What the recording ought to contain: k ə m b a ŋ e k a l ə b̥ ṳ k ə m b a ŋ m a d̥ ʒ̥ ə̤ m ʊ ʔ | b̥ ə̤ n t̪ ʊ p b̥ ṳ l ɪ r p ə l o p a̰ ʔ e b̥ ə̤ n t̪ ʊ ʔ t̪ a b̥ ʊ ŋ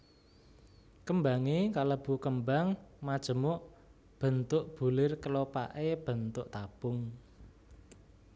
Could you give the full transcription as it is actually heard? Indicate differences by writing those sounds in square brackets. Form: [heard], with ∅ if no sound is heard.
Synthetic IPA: k ə m b a ŋ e k a l ə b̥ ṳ k ə m b a ŋ m a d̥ ʒ̥ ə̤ m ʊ ʔ | b̥ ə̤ n t̪ ʊ [ʔ] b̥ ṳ l ɪ r [k] ə l o p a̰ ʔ e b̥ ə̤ n t̪ ʊ ʔ t̪ a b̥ ʊ ŋ